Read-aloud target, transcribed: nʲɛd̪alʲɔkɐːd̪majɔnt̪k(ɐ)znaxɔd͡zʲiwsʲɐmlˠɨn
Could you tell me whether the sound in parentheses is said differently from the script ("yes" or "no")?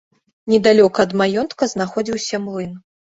no